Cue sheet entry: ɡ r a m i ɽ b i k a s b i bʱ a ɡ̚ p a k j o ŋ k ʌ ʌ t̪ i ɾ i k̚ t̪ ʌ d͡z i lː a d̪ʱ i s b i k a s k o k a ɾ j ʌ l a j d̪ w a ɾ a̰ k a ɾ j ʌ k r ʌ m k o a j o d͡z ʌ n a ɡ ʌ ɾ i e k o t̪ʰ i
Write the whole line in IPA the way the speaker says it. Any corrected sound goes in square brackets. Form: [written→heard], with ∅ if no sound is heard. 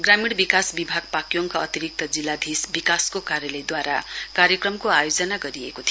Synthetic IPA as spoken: ɡ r a m i ɽ b i k a s b i bʱ a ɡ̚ p a k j o ŋ k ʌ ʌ t̪ i ɾ i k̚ t̪ ʌ d͡z i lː a d̪ʱ i s b i k a s k o k a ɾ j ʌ l [a→ʌ] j d̪ w a ɾ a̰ k a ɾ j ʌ k r ʌ m k o a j o d͡z ʌ n a ɡ ʌ ɾ i e k o t̪ʰ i